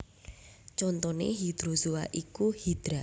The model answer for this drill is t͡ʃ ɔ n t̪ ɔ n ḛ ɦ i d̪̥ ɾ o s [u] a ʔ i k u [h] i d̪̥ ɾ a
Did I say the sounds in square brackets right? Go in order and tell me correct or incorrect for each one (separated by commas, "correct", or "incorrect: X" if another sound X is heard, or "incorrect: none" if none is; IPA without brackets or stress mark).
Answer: correct, correct